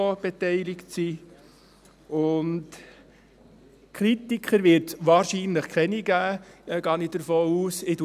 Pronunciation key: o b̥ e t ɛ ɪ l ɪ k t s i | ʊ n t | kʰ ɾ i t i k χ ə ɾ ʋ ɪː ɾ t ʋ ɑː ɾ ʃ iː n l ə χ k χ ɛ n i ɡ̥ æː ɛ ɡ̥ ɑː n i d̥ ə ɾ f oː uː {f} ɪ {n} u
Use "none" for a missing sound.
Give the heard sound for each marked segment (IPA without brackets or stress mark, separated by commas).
s, d